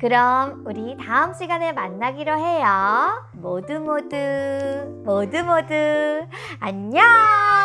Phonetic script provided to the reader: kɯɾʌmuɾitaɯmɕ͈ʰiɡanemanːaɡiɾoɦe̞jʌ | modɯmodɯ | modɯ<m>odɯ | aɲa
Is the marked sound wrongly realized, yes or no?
no